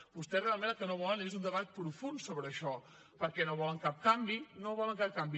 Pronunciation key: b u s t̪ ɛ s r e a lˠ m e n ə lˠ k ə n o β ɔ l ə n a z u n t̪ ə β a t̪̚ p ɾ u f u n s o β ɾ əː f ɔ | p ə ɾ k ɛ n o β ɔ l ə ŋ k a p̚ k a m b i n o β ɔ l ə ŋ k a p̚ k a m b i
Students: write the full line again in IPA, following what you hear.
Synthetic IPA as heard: b u s t̪ ɛ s r e a lˠ m e n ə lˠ k ə n o β ɔ l ə n e z u n d̪ ə β a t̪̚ p ɾ u f u n s o β ɾ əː ʃ ɔ | p ə ɾ k ɛ n o β ɔ l ə ŋ k a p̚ k a m b i n o β ɔ l ə ŋ k a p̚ k a m b i

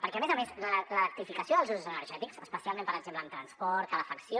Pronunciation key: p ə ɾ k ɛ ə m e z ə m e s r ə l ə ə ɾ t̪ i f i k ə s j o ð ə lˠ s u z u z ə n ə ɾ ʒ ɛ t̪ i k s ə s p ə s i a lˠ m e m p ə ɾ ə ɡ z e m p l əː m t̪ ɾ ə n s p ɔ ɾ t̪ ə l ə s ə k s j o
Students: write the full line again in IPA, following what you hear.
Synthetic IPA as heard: p ə ɾ k ɛ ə m e z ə m e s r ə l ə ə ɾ t̪ i f i k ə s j o ð ə lˠ z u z u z ə n ə ɾ ʒ ɛ t̪ i k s ə s p ə s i a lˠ m e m p ə ɾ ə ɡ z e m p l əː m t̪ ɾ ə n s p ɔ ɾ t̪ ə l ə f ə k s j o

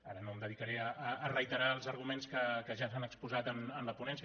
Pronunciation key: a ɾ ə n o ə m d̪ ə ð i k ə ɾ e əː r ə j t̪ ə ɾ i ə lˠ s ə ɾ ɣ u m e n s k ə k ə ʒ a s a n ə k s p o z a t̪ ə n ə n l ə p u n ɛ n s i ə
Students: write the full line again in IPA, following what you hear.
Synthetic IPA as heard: a ɾ ə n o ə m d̪ ə ð i k ə ɾ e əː r ə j t̪ ə ɾ a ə lˠ z ə ɾ ɣ u m e n s k ə k ə ʒ a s a n ə k s p u z a t̪ ə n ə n l ə p u n ɛ n s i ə

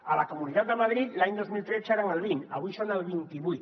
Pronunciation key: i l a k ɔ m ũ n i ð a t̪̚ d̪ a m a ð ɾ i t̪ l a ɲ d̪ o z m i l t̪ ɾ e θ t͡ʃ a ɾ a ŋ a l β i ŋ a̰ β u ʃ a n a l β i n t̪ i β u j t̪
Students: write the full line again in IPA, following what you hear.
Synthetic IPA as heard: a l a k o m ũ n i ð a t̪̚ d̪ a m a ð ɾ i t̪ l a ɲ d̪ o z m i l t̪ ɾ e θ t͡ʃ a ɾ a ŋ a l β i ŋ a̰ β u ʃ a n a l β i n t̪ i β u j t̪

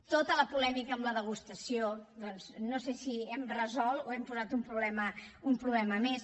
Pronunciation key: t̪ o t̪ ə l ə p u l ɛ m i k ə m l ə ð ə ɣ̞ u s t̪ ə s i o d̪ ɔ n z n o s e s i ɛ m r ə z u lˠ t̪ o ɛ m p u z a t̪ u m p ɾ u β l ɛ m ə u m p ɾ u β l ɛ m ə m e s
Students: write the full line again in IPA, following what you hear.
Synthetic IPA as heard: t̪ o t̪ ə l ə p u l ɛ m i k əː m l ə ð ə ɣ̞ u s t̪ ə s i o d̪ ɔ n z n o s e s i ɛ m r ə z ɔ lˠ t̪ o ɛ m p u z a t̪ u m p ɾ u β l ɛ m ə u m p ɾ u β l ɛ m ə m e s

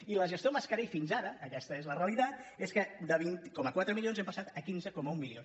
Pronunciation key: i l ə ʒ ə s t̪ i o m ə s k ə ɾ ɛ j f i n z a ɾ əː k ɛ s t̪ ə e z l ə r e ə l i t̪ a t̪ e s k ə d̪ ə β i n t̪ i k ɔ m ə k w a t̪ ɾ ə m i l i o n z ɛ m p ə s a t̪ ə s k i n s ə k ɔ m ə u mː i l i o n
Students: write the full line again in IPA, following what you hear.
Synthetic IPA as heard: i l ə ʒ ə s t̪ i o m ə s k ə ɾ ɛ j f i n z a ɾ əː k ɛ s t̪ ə e z l ə r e ə l i t̪ a t̪ e s k ə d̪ ə β i n t̪ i k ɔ m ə k w a t̪ ɾ ə m i l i o n z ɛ m p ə s a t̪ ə k i n z ə k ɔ m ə u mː i l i o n

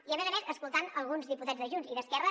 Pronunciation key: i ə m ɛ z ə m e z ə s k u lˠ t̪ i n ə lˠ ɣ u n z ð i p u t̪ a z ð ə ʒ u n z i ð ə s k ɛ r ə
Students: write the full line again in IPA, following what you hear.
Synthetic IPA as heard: i ə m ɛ z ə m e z ə s k u lˠ t̪ a n ə lˠ ɣ u n z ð i p u t̪ a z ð ə ʒ u n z i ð ə s k ɛ r ə

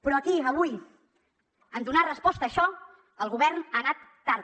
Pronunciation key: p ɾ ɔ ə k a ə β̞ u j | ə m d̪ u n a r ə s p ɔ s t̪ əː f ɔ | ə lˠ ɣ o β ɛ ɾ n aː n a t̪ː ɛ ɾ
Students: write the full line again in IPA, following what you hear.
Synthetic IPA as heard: p ɾ ɔ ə k i ə β̞ u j | ə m d̪ u n a r ə s p ɔ s t̪ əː ʃ ɔ | ə lˠ ɣ u β ɛ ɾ n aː n a t̪ː a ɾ

